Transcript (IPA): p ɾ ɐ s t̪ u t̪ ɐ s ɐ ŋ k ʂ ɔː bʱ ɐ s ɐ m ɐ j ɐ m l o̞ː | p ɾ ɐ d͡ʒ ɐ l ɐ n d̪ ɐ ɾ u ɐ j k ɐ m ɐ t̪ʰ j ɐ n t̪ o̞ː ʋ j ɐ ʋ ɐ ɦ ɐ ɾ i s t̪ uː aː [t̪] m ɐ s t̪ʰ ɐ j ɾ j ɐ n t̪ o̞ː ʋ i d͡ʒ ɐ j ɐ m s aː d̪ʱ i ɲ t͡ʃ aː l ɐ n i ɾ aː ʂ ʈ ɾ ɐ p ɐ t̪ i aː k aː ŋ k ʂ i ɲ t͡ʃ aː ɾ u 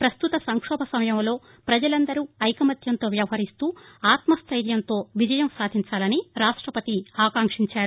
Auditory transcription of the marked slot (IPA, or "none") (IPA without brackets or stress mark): t̪